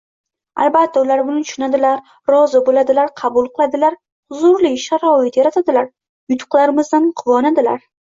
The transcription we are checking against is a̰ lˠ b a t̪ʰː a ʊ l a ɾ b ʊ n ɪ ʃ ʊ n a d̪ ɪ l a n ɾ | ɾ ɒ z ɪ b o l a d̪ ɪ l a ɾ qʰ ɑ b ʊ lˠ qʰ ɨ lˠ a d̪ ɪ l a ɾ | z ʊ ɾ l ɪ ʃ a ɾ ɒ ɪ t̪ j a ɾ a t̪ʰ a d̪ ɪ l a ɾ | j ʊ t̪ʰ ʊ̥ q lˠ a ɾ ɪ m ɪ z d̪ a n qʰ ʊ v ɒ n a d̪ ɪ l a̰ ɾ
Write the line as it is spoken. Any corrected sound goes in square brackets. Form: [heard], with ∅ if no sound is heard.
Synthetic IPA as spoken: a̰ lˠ b a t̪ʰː a ʊ l a ɾ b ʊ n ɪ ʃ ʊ n a d̪ ɪ l a [∅] ɾ | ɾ ɒ z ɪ b o l a d̪ ɪ l a ɾ qʰ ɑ b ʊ lˠ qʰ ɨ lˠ a d̪ ɪ l a ɾ | z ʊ ɾ l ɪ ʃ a ɾ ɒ ɪ t̪ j a ɾ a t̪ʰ a d̪ ɪ l a ɾ | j ʊ t̪ʰ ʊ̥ q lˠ a ɾ ɪ m ɪ z d̪ a n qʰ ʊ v ɒ n a d̪ ɪ l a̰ ɾ